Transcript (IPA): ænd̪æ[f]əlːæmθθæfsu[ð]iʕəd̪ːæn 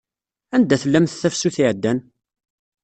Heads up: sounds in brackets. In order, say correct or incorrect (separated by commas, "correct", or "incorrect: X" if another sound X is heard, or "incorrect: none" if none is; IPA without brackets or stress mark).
incorrect: θ, incorrect: θ